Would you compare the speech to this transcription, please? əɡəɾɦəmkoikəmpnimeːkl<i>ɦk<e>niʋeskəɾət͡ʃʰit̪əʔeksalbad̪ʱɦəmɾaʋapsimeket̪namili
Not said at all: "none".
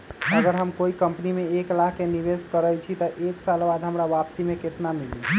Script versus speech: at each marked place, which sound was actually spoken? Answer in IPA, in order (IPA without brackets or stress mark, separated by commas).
a, e